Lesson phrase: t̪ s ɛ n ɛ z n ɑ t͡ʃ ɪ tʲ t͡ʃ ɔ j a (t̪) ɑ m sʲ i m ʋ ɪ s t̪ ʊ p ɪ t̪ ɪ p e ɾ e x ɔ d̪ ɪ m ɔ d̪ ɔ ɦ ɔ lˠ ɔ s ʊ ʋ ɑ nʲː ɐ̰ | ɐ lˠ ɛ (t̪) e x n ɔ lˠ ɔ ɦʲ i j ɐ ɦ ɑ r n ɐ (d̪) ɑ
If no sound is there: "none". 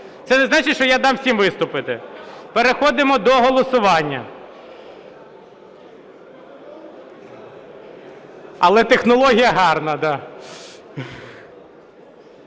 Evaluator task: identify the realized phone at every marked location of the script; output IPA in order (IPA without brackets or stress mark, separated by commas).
d̪, t̪, d̪